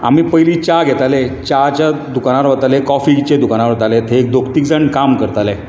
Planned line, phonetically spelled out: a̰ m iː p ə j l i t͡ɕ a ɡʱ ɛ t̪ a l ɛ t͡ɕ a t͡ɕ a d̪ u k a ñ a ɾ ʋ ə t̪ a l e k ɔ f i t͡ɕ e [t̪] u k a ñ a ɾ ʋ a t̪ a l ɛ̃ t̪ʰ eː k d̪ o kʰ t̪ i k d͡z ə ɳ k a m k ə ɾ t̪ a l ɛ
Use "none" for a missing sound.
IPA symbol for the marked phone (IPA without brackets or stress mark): d̪